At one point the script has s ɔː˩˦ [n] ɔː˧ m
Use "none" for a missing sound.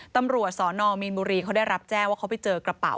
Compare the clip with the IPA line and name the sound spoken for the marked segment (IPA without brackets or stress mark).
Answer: n